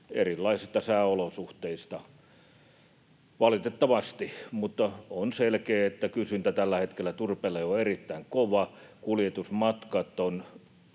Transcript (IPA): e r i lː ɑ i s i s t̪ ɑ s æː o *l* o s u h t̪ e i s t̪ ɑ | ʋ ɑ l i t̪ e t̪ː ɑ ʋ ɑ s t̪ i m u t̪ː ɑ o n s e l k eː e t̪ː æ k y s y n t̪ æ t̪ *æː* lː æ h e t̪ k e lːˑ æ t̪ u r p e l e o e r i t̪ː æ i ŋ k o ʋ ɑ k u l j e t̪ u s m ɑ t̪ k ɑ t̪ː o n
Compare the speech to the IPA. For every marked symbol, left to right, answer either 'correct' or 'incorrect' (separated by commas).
correct, incorrect